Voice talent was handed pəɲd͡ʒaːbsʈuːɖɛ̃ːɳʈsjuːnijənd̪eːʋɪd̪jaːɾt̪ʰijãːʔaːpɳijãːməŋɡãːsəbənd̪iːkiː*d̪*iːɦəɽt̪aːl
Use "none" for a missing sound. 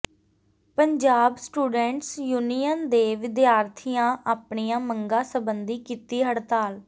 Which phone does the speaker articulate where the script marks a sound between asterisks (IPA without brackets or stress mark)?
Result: t̪